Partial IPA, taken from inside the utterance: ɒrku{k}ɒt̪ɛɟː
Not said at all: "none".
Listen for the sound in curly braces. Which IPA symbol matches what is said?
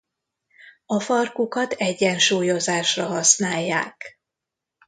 k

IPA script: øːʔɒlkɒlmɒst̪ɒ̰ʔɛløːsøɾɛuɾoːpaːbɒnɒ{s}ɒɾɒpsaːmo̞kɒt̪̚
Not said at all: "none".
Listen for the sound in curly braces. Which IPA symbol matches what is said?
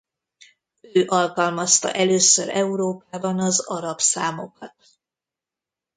z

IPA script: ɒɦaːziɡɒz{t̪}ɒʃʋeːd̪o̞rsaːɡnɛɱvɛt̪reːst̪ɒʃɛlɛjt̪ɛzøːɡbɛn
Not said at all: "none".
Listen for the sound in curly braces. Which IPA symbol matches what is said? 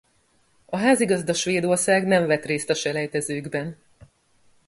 d̪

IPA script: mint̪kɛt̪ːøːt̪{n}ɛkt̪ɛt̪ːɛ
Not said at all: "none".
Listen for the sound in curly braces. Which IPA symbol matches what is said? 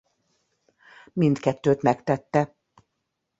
m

